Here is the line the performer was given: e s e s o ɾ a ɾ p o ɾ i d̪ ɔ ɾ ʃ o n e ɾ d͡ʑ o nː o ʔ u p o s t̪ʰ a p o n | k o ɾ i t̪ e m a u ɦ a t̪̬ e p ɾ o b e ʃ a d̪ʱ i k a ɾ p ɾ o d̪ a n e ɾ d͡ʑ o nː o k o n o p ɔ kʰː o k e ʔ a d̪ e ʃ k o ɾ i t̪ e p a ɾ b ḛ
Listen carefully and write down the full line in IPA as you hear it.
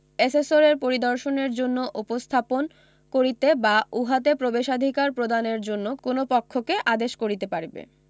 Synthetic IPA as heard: e s e s o ɾ e ɾ p o ɾ i d̪ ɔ ɾ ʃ o n e ɾ d͡ʑ o nː o ʔ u p o s t̪ʰ a p o n | k o ɾ i t̪ e b a u ɦ a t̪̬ e p ɾ o b e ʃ a d̪ʱ i k a ɾ p ɾ o d̪ a n e ɾ d͡ʑ o nː o k o n o p ɔ kʰː o k e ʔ a d̪ e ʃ k o ɾ i t̪ e p a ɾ b ḛ